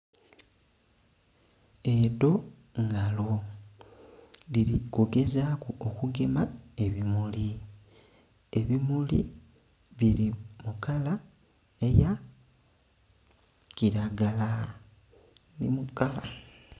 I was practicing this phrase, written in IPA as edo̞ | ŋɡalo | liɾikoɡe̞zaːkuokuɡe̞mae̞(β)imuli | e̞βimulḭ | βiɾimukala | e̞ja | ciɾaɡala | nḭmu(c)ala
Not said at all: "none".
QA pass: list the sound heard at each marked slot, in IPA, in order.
β, k

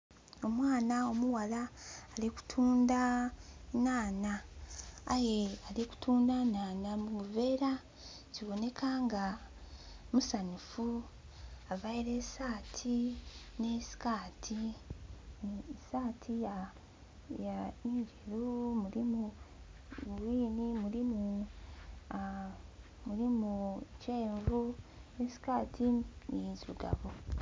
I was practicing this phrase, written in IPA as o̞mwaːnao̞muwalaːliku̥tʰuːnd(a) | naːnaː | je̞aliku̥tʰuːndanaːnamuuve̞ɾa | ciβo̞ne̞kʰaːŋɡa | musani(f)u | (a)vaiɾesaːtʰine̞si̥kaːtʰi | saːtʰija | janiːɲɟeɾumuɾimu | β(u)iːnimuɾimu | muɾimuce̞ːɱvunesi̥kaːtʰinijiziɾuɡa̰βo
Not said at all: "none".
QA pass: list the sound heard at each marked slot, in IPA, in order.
a, f, a, w

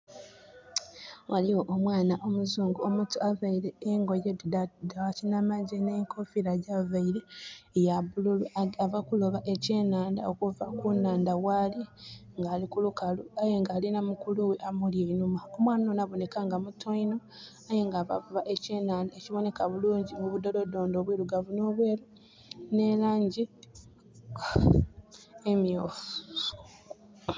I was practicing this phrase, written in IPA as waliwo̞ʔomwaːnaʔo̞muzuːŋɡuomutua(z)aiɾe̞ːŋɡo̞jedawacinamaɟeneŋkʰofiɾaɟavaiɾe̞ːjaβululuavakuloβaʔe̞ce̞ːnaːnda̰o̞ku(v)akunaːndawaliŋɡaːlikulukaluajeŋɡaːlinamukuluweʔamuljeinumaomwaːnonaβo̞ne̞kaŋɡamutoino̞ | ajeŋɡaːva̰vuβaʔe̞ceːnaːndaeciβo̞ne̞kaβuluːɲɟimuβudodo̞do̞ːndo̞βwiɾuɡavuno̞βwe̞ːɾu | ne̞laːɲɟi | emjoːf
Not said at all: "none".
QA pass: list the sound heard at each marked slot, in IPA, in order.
v, v

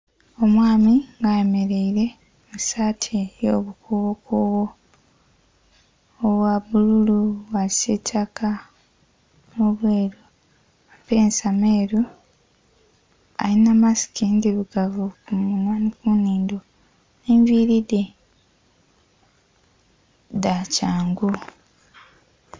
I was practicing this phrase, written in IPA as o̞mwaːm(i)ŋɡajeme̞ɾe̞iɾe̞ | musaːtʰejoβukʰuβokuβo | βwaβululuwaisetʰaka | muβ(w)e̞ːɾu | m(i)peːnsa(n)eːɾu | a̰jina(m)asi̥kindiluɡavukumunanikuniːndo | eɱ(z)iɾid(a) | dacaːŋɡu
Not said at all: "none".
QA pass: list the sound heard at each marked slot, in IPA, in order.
i, w, a, m, m, v, e

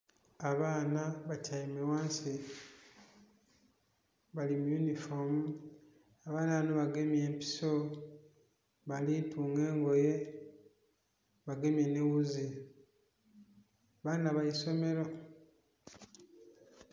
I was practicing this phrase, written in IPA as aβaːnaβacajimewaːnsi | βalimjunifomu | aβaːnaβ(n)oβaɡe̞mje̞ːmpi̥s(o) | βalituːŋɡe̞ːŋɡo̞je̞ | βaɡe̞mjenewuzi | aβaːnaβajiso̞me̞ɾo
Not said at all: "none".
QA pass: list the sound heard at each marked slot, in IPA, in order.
n, o

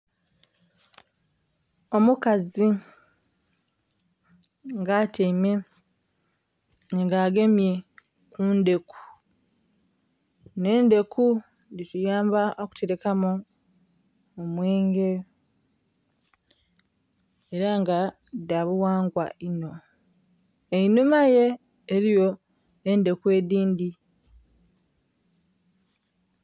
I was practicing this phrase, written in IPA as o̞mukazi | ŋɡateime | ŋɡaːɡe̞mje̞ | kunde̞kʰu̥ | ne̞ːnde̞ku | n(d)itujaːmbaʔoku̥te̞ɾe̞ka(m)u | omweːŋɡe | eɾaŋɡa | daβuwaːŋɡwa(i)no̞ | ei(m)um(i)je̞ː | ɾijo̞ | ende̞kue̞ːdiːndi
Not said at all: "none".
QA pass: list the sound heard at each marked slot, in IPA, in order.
d, m, i, n, a

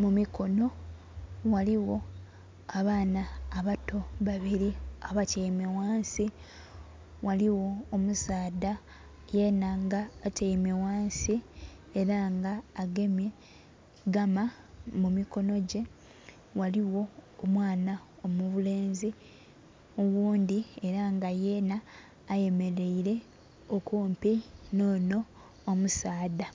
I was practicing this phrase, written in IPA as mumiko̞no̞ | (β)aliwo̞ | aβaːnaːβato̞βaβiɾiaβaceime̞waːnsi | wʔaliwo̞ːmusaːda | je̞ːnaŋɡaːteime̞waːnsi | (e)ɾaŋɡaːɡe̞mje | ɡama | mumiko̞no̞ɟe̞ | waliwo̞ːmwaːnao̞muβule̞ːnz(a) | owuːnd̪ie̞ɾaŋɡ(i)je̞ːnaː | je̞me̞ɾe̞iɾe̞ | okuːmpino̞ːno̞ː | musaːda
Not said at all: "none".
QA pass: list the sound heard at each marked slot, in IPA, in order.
w, e, i, a

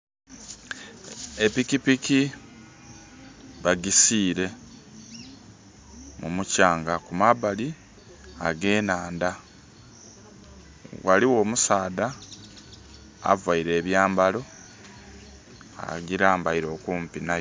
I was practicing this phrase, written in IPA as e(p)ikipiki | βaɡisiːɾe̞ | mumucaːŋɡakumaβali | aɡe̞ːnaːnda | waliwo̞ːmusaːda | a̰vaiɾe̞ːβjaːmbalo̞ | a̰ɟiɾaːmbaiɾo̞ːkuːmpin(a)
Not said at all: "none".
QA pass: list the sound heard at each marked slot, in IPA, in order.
p, a

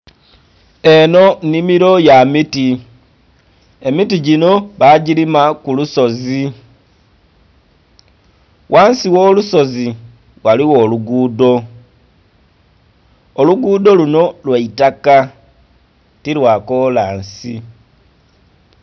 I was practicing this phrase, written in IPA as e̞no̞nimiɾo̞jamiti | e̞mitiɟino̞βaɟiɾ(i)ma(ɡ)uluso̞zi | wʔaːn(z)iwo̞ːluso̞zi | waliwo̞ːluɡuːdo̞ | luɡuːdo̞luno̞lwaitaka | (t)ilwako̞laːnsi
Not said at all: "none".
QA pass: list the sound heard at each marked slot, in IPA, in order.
i, k, s, t

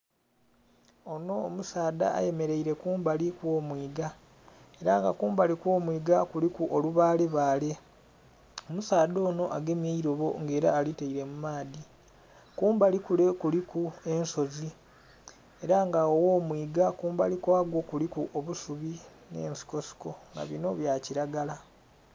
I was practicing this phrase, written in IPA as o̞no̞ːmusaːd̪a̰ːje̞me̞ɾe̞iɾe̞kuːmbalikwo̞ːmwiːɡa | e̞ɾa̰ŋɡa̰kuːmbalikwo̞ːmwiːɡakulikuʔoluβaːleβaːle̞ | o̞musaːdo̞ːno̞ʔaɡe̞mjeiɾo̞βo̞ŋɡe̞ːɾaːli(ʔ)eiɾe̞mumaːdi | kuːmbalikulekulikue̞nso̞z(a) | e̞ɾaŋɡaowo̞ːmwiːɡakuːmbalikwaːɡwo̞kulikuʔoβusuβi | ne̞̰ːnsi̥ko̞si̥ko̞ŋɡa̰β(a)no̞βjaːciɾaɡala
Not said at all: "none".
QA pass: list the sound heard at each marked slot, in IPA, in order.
t, i, i

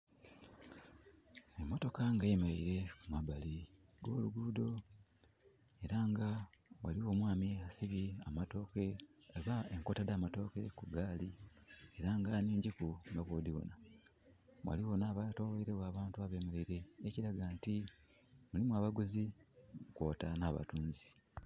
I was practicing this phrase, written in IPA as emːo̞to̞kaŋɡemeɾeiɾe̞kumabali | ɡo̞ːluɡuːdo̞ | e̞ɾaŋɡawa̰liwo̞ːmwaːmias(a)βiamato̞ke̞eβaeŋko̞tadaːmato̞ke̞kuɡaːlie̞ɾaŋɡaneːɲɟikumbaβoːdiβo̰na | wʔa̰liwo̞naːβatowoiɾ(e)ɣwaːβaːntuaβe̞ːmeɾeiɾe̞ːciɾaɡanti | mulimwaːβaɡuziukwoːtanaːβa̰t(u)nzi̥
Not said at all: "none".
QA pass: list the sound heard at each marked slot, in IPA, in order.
i, e, uː

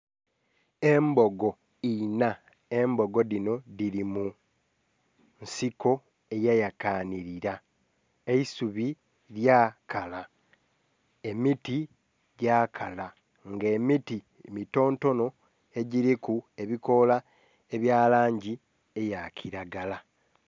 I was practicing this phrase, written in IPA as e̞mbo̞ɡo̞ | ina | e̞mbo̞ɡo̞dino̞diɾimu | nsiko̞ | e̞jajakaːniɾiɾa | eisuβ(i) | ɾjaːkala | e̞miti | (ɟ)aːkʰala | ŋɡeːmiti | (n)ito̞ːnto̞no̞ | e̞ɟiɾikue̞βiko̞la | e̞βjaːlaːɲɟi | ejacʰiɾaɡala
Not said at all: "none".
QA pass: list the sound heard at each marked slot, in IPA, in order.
i, ɟ, m

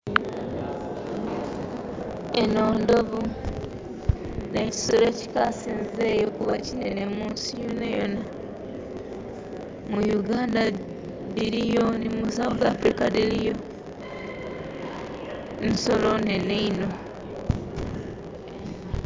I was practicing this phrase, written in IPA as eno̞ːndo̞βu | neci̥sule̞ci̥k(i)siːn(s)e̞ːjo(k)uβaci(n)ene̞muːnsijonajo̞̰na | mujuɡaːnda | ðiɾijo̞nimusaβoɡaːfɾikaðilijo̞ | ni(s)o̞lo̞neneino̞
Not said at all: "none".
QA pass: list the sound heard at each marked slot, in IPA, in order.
a, z, k, n, s

